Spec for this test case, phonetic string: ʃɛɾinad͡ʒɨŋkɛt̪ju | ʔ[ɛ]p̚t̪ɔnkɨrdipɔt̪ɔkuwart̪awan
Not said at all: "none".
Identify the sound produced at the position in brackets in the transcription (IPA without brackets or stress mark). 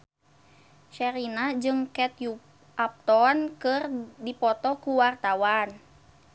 a